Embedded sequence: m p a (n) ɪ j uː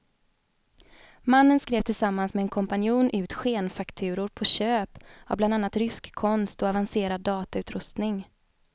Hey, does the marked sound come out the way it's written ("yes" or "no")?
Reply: yes